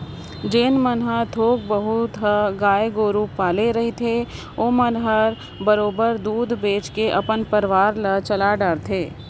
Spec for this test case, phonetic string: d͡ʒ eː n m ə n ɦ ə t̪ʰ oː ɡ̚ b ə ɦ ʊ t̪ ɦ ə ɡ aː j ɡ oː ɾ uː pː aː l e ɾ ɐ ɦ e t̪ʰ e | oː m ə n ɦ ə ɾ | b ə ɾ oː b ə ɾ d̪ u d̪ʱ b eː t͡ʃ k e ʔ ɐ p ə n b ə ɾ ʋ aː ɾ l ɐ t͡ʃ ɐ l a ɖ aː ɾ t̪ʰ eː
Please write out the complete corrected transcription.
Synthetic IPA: d͡ʒ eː n m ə n ɦ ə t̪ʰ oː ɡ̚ b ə ɦ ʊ t̪ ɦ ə ɡ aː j ɡ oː ɾ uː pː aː l e ɾ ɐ ɦ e t̪ʰ e | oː m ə n ɦ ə ɾ | b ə ɾ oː b ə ɾ d̪ uː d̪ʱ b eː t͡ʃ k e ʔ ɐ p ə n p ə ɾ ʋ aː ɾ l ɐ t͡ʃ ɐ l a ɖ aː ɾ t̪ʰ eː